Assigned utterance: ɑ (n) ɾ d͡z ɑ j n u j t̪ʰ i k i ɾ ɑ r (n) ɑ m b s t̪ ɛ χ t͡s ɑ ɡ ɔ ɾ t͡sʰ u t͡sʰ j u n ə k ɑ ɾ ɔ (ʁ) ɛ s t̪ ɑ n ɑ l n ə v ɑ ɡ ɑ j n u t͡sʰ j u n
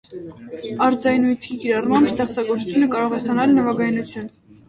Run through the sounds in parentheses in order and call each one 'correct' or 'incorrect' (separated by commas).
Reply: incorrect, incorrect, correct